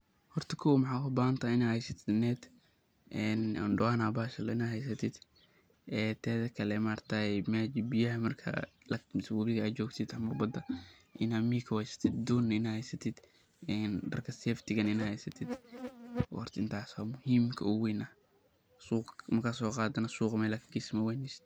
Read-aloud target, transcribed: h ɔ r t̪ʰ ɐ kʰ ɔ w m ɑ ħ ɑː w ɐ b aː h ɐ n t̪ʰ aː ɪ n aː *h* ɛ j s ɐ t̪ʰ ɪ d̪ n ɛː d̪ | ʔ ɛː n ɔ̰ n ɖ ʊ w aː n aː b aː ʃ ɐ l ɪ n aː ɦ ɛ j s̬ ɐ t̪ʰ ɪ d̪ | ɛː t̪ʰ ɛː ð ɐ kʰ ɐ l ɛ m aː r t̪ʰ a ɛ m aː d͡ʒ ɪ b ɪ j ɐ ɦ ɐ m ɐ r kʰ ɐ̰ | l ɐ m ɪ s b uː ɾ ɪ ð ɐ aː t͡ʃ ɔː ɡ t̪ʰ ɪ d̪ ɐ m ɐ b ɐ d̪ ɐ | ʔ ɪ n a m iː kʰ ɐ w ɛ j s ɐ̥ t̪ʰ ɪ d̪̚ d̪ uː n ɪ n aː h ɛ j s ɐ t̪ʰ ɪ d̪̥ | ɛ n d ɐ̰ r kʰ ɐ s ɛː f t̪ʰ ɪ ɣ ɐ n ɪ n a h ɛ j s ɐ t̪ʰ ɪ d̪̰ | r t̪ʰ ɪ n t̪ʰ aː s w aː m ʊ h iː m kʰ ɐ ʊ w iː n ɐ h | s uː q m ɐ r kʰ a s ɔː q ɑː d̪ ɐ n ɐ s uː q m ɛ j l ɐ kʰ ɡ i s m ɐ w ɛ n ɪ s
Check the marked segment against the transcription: correct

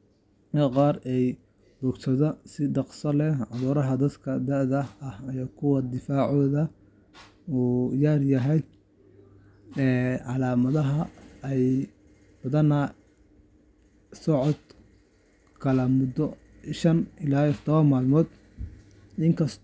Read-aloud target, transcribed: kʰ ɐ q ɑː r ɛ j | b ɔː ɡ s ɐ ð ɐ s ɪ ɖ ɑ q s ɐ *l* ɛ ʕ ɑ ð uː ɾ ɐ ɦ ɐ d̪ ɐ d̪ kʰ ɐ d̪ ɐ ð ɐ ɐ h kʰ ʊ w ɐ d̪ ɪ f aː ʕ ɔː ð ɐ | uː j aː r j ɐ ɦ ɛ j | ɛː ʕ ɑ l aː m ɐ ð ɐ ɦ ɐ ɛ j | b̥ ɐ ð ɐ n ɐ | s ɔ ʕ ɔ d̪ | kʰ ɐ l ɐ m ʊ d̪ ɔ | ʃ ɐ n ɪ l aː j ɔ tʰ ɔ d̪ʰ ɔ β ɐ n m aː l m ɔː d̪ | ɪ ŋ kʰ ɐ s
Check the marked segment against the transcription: correct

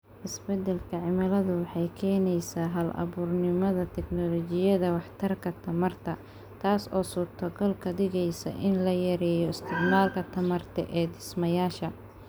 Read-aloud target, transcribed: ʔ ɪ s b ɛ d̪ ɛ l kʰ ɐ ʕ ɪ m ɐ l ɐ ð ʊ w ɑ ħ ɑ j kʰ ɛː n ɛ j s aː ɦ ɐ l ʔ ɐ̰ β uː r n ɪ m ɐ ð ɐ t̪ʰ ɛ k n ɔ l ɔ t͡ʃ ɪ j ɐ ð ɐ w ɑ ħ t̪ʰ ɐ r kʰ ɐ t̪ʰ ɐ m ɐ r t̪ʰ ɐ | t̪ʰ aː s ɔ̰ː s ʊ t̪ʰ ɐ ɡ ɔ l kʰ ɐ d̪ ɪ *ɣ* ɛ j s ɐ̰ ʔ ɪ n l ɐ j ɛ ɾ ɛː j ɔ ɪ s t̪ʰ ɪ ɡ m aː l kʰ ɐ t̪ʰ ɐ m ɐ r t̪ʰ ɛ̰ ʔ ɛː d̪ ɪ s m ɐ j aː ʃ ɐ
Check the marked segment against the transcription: correct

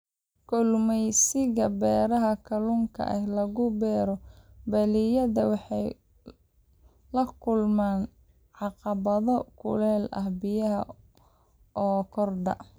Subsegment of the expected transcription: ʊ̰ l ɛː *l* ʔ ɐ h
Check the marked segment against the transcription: correct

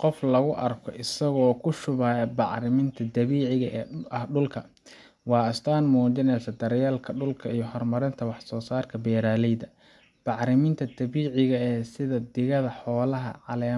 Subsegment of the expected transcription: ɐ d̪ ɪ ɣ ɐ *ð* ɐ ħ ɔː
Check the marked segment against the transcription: correct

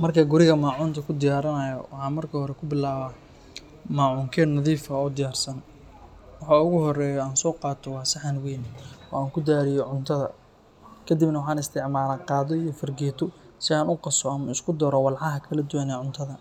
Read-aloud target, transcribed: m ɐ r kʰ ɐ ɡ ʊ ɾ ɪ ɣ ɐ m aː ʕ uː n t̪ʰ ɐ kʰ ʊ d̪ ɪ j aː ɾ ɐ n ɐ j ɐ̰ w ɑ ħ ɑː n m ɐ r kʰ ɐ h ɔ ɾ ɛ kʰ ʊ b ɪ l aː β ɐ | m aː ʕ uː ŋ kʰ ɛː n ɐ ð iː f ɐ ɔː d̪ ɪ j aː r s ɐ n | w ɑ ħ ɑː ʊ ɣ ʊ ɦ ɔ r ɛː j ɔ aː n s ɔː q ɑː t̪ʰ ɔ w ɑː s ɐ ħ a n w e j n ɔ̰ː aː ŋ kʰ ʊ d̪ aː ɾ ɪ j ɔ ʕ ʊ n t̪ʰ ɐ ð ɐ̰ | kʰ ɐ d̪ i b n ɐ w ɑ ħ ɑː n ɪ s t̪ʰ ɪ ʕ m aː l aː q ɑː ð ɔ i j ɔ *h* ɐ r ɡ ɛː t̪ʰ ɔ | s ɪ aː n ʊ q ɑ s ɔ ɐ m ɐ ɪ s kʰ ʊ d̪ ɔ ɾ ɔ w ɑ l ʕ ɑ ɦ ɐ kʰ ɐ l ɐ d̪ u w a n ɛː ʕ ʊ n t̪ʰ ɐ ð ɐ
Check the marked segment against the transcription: incorrect: f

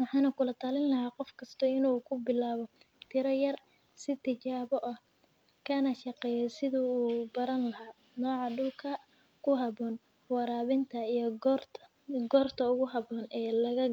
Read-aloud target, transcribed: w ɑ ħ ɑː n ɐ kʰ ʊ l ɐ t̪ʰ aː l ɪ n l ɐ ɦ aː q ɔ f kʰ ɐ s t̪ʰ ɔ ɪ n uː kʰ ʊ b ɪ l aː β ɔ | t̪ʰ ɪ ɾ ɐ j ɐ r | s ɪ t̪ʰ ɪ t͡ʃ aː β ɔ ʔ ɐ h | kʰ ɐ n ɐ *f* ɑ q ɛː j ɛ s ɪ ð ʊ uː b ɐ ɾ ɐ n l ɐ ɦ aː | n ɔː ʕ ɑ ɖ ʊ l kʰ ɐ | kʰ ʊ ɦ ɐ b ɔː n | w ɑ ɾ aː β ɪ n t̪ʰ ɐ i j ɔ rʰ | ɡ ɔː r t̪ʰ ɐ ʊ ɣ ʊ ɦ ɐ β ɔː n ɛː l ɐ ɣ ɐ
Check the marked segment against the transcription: incorrect: ʃ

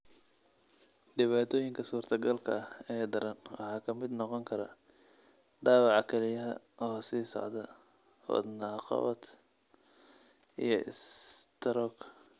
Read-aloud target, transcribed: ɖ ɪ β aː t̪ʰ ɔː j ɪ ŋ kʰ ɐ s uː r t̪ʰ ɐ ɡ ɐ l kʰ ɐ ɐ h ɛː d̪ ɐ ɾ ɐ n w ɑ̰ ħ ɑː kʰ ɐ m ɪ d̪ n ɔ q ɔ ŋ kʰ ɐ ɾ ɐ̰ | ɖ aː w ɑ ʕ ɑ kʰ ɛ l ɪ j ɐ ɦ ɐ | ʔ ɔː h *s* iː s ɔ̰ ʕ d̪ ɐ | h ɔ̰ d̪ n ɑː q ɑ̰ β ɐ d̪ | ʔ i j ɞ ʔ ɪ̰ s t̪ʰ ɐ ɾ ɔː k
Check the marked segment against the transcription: correct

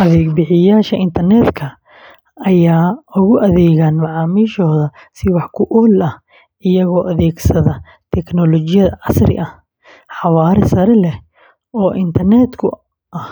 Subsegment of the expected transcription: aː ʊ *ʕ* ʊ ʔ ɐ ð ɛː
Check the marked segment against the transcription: incorrect: ɣ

